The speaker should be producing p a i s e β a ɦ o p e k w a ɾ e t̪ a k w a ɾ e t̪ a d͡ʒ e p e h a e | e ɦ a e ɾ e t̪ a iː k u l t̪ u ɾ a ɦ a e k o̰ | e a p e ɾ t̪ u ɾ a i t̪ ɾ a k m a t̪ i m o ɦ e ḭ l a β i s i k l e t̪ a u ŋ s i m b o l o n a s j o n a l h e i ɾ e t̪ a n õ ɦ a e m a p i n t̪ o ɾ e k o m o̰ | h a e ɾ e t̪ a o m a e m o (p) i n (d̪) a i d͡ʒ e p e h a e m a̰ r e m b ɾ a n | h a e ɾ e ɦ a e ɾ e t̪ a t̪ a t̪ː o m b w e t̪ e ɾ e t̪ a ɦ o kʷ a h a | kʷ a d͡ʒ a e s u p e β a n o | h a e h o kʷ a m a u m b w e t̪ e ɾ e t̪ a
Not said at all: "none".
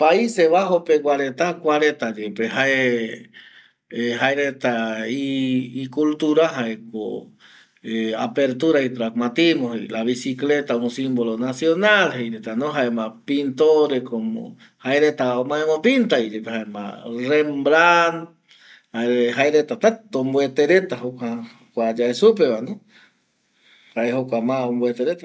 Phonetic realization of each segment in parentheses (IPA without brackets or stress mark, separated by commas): p, t̪